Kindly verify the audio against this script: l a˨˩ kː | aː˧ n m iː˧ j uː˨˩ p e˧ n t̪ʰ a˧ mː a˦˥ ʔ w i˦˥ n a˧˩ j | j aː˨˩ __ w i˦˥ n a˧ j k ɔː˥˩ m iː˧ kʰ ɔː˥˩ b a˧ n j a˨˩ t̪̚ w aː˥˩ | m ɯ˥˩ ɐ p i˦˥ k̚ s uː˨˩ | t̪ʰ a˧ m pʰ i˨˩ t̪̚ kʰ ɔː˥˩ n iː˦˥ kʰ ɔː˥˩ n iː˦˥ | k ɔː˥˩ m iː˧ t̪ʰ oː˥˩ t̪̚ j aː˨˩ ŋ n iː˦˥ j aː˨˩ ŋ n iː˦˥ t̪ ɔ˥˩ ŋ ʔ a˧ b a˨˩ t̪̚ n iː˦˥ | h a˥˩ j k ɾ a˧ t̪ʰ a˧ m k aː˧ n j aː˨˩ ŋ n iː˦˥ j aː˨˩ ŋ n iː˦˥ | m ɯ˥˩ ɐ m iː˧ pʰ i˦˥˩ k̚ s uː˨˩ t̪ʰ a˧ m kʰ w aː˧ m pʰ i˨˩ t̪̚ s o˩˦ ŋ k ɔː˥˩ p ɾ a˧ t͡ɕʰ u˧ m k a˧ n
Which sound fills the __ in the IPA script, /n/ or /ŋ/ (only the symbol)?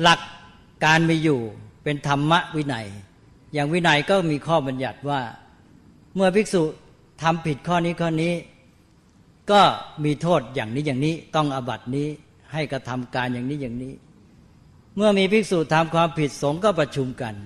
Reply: ŋ